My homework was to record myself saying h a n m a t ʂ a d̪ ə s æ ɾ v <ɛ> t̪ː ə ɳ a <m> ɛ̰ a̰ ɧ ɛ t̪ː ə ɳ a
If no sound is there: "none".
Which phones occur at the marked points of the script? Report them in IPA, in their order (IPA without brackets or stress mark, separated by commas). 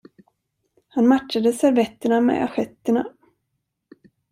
ɛ, m